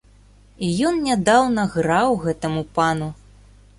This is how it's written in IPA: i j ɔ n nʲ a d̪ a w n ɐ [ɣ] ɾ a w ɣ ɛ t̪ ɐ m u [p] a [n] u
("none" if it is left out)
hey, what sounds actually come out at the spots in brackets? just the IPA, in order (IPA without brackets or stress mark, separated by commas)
ɣ, p, n